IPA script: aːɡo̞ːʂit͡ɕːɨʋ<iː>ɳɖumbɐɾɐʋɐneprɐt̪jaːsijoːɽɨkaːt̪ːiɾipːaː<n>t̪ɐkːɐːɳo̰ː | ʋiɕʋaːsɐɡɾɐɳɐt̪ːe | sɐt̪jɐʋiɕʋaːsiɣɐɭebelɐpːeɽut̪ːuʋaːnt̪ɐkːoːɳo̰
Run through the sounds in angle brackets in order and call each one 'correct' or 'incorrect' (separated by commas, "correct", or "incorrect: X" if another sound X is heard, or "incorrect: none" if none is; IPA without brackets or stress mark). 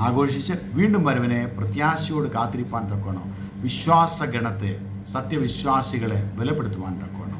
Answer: correct, correct